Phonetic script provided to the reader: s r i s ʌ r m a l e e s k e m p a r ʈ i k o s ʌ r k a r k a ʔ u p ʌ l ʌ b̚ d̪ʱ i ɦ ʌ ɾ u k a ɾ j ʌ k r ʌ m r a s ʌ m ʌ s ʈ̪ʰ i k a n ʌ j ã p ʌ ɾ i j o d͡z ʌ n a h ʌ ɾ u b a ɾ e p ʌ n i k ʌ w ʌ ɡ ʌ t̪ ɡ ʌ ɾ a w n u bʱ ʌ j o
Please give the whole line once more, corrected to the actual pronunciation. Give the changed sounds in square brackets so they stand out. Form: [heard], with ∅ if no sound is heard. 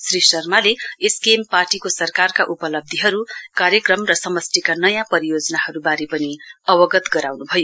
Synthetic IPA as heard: s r i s ʌ r m a l e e s k e m p a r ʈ i k o s ʌ r k a r k a ʔ u p ʌ l ʌ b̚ d̪ʱ i ɦ ʌ ɾ u k a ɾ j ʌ k r ʌ m r [ʌ] s ʌ m ʌ s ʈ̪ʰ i k a n ʌ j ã p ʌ ɾ i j o d͡z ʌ n a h ʌ ɾ u b a ɾ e p ʌ n i [∅] ʌ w ʌ ɡ ʌ t̪ ɡ ʌ ɾ a w n u bʱ ʌ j o